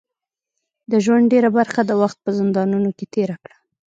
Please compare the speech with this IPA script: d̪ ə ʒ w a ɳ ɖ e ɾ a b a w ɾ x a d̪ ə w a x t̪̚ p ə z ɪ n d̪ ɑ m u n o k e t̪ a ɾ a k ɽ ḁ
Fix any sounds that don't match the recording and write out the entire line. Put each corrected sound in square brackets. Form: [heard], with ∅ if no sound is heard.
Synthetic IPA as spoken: d̪ ə ʒ w a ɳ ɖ e ɾ a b a [∅] ɾ x a d̪ ə w a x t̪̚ p ə z ɪ n d̪ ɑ [n] u n o k e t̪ [e] ɾ a k ɽ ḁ